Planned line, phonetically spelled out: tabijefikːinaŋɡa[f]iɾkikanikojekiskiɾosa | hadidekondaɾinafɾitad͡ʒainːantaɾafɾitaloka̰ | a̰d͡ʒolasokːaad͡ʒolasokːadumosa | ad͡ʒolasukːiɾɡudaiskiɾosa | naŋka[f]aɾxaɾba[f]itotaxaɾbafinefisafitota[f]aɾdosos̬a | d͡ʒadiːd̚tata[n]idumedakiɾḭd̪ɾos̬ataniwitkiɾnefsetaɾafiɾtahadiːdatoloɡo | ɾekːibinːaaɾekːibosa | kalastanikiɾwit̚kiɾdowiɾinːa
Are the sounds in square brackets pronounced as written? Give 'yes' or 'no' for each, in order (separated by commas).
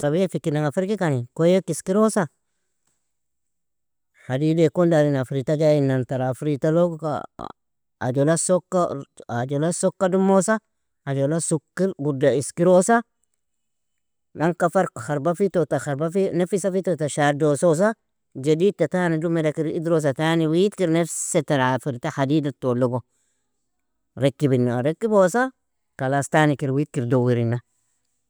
yes, yes, yes, no, yes